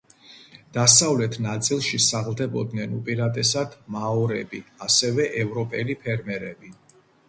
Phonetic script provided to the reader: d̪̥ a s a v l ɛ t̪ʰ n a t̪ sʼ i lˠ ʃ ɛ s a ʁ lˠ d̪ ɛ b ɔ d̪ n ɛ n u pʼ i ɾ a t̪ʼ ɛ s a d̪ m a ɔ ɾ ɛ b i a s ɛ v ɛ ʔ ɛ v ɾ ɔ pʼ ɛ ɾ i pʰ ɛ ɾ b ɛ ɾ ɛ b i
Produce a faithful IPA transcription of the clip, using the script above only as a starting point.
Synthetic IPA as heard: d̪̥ a s a v l ɛ t̪ʰ n a t̪ sʼ i lˠ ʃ i s a ʁ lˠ d̪ ɛ b ɔ d̪ n ɛ n u pʼ i ɾ a t̪ʼ ɛ s a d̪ m a ɔ ɾ ɛ b i a s ɛ v ɛ ʔ ɛ v ɾ ɔ pʼ ɛ l i pʰ ɛ ɾ m ɛ ɾ ɛ b i